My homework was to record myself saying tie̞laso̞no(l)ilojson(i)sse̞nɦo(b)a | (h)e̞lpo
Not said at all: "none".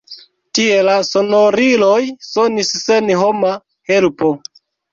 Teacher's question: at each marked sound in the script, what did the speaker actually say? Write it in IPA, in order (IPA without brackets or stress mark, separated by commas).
ɾ, i, m, h